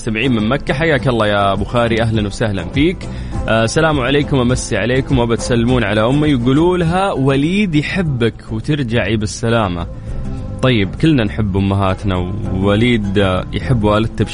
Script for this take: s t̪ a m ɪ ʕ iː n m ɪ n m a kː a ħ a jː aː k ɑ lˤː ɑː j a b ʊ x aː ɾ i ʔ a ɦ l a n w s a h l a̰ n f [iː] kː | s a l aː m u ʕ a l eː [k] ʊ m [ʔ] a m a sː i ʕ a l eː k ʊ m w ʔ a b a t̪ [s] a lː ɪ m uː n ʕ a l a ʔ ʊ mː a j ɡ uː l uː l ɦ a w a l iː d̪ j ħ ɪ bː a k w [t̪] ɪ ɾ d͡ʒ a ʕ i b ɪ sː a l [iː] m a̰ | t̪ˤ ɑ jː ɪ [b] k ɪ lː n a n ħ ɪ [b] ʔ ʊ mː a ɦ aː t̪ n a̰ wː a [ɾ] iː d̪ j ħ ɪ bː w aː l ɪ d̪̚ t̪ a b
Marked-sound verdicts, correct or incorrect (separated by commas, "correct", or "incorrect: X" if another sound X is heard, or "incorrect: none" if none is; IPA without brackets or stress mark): correct, correct, correct, correct, correct, incorrect: aː, correct, incorrect: bː, incorrect: l